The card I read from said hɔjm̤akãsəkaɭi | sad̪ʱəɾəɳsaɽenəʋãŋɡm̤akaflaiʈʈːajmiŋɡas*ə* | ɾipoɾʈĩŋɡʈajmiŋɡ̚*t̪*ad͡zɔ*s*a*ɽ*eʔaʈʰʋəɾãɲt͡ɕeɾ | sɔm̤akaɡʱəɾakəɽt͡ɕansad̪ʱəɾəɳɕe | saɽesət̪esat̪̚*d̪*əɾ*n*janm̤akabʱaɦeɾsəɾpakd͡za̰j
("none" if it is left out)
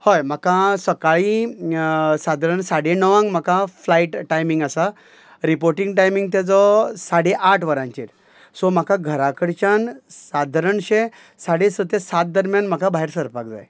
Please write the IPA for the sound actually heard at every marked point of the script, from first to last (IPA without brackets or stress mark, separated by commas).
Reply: a, t̪, s, ɽ, d̪, m